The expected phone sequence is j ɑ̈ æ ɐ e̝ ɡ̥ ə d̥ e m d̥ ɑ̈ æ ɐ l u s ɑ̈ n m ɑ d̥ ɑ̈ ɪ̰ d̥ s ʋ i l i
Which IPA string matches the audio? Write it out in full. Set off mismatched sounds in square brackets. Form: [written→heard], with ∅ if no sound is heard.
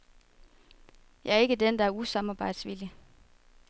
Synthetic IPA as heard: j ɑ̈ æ ɐ e̝ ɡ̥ ə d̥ e [m→n] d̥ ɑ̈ æ ɐ [l→∅] u s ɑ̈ [n→∅] m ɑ [d̥→b̥] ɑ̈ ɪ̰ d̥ s ʋ i l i